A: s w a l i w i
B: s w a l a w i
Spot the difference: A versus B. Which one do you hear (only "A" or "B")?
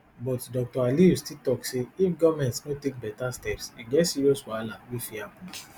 B